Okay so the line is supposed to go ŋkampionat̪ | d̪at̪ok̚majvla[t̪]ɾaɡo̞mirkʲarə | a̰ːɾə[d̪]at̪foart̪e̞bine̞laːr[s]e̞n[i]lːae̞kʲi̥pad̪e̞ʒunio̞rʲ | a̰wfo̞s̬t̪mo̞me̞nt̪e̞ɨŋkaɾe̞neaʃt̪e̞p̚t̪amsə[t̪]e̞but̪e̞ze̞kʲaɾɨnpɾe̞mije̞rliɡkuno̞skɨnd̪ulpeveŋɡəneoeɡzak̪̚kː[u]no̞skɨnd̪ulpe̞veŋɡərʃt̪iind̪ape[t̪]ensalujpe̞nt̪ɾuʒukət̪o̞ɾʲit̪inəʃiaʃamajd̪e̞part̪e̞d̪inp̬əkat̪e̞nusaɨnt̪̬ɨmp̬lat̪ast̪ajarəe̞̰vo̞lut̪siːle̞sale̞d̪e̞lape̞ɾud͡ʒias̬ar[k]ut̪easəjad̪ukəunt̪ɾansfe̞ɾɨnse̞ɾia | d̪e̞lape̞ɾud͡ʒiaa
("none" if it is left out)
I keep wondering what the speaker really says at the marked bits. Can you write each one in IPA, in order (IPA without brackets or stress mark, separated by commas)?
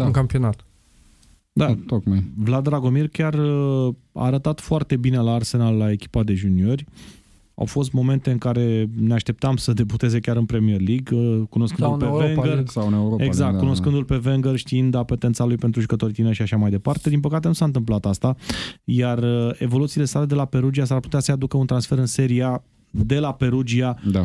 d̪, t̪, s, a, d̪, u, t̪, p